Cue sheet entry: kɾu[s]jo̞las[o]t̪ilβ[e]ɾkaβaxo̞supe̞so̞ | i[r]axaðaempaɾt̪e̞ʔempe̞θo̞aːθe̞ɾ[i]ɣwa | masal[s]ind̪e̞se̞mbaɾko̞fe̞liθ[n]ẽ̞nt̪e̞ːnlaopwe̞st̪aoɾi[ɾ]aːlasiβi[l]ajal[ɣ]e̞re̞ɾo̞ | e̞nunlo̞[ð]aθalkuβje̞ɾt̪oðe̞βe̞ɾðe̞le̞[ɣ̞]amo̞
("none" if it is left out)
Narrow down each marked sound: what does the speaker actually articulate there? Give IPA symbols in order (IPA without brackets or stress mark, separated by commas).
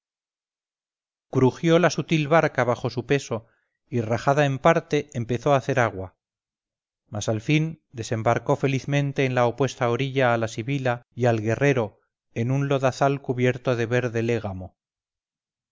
x, u, a, r, a, f, m, ʎ, l, ɣ, ð, ɣ̞